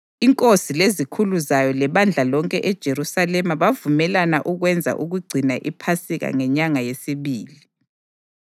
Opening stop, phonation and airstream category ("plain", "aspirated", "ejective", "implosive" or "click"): ejective